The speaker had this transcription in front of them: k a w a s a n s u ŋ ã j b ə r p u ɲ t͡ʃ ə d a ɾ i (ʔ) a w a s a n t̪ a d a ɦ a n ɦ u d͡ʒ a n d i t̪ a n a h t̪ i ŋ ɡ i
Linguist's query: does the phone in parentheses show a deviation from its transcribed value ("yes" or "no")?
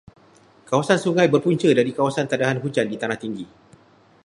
yes